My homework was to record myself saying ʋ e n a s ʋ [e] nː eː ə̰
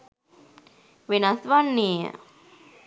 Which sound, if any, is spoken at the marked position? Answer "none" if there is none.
a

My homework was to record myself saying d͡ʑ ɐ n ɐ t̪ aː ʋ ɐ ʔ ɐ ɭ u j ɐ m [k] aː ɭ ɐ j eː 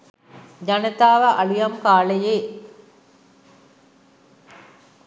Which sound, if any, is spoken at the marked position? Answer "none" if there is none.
k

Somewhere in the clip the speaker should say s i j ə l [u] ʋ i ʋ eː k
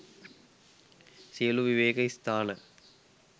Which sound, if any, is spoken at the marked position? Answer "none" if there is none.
u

